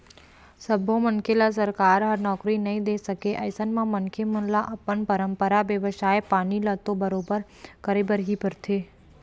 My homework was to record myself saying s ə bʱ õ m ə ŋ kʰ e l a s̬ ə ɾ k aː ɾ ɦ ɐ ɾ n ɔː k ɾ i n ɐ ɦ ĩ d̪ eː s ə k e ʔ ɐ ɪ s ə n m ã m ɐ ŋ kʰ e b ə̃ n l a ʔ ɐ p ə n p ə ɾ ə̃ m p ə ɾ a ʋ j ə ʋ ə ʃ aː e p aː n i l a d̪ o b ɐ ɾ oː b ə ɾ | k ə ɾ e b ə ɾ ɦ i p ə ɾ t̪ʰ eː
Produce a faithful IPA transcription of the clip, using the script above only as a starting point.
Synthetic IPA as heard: s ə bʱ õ m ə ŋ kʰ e l a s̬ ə ɾ k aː ɾ ɦ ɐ ɾ n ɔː k ɾ i n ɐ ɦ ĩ d̪ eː s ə k e ʔ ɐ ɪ s ə n m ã m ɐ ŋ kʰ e m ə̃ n l a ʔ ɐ p ə n p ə ɾ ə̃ m p ə ɾ a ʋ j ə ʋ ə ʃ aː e p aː n i l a t̪ o b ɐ ɾ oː b ə ɾ | k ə ɾ e b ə ɾ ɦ i p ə ɾ t̪ʰ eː